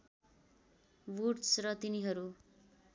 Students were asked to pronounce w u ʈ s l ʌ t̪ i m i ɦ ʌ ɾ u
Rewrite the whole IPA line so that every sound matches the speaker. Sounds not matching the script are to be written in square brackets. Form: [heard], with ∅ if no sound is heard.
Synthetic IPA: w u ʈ s [r] ʌ t̪ i [n] i ɦ ʌ ɾ u